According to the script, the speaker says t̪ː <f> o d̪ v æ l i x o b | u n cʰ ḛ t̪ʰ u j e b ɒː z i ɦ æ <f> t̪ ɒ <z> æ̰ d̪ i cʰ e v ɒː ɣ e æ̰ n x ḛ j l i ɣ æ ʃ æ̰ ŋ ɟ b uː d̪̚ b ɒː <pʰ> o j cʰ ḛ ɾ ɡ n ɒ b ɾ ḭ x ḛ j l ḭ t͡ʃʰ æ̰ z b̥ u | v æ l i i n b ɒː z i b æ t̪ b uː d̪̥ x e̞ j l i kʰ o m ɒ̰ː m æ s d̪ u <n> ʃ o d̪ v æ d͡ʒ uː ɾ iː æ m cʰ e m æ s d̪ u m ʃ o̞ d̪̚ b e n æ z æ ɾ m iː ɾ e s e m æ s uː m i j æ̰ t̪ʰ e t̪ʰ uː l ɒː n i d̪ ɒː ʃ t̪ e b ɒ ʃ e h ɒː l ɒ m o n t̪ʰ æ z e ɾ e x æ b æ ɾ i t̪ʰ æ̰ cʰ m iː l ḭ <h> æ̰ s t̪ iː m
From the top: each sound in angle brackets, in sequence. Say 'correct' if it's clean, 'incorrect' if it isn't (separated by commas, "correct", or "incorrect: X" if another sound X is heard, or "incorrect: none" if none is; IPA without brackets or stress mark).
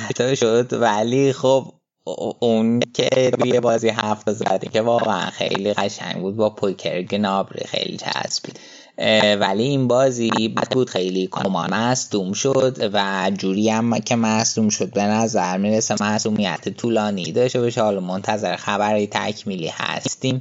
incorrect: ʃ, correct, correct, correct, incorrect: m, correct